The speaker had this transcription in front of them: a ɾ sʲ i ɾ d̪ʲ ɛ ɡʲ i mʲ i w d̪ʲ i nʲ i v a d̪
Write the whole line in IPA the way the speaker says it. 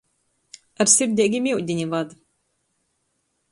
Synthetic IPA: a ɾ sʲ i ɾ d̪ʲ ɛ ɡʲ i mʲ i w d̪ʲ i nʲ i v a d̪